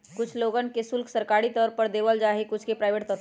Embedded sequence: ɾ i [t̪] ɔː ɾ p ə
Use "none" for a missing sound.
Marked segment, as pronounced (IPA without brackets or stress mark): t̪